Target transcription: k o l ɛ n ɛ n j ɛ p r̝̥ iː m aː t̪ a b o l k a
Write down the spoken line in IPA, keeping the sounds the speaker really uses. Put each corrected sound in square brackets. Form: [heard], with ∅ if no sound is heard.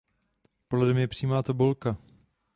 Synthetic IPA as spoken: [p] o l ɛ [d] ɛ [m] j ɛ p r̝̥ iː m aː t̪ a b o l k a